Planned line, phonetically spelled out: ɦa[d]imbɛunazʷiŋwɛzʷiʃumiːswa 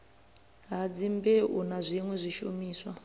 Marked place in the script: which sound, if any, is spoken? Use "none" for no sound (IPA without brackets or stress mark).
d͡z